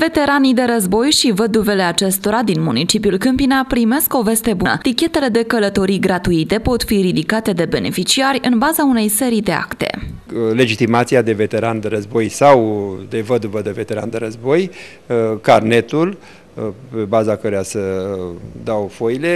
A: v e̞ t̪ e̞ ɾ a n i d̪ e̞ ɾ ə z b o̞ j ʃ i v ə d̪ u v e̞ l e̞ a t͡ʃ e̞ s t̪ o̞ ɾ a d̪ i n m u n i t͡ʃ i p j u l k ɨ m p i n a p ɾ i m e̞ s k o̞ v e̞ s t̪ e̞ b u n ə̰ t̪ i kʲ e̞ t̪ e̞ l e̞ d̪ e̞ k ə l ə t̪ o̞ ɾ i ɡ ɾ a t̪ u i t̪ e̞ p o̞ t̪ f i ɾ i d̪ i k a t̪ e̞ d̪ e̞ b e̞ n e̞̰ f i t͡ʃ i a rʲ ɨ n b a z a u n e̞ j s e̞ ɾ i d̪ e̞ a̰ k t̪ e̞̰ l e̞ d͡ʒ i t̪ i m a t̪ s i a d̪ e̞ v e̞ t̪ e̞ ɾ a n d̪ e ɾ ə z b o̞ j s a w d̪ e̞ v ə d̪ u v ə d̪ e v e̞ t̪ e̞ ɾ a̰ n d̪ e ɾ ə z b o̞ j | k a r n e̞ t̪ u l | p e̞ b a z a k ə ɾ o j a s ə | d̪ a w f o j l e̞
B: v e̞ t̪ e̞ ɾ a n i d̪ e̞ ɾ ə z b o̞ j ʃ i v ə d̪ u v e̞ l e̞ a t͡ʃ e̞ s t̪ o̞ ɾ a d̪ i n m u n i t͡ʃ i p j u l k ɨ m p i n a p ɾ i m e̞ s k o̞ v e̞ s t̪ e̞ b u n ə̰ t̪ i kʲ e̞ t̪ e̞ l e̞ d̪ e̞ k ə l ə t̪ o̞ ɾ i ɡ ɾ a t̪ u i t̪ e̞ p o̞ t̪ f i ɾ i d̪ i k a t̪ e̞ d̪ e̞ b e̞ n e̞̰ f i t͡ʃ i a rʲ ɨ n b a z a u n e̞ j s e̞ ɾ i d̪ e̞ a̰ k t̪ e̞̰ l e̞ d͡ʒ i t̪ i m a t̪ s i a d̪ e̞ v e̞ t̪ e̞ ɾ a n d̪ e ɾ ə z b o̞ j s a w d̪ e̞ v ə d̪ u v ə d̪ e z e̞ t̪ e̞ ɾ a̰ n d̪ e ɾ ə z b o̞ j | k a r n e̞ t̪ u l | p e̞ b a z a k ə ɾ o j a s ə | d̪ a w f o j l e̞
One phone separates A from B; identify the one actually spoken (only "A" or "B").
A